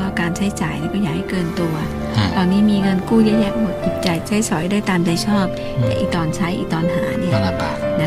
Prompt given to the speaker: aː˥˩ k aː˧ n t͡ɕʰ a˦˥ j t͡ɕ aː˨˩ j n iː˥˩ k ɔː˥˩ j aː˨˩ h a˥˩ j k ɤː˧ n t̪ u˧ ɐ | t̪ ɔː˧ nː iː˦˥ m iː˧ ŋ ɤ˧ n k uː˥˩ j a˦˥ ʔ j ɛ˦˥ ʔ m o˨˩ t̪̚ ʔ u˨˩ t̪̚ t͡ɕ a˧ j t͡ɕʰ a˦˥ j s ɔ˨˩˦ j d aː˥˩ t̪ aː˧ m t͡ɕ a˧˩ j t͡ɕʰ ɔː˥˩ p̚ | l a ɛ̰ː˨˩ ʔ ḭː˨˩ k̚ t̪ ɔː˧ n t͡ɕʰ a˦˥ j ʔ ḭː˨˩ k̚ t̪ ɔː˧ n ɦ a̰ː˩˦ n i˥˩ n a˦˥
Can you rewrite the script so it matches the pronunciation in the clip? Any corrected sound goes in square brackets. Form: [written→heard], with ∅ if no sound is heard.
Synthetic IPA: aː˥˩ k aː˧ n t͡ɕʰ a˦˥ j t͡ɕ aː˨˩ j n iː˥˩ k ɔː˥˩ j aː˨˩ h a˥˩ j k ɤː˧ n t̪ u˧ ɐ | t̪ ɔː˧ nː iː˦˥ m iː˧ ŋ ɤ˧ n k uː˥˩ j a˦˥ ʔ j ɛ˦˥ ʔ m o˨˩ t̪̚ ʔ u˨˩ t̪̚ t͡ɕ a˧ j t͡ɕʰ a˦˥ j s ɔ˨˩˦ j d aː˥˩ t̪ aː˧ m t͡ɕ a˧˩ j t͡ɕʰ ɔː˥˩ p̚ | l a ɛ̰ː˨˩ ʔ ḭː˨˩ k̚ t̪ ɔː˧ n t͡ɕʰ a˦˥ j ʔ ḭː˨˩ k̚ t̪ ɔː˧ n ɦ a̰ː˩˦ n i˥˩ n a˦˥